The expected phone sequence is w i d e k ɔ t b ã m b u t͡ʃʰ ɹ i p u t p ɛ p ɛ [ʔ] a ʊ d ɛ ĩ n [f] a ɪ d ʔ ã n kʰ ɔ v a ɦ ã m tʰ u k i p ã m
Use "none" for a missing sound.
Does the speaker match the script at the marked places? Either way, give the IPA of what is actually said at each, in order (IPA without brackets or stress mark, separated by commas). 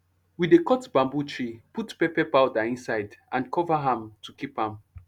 p, s